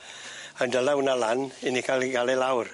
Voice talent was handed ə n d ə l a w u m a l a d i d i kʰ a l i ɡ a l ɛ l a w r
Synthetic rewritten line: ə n d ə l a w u n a l a n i n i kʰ a l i ɡ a l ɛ l a w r